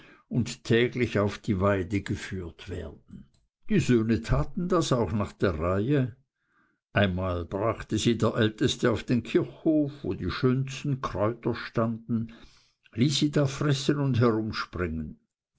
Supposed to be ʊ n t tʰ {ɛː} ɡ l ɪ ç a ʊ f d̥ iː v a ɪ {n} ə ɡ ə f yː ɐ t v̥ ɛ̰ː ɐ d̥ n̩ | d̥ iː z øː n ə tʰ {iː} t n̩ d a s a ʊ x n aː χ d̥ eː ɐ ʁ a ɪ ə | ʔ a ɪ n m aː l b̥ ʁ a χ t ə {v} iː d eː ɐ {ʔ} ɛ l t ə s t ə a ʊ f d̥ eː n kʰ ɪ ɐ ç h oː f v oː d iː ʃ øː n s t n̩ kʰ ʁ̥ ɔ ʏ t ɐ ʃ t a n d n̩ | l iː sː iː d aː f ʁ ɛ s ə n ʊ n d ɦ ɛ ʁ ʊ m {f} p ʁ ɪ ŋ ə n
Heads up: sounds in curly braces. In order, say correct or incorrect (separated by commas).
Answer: correct, incorrect, incorrect, incorrect, correct, incorrect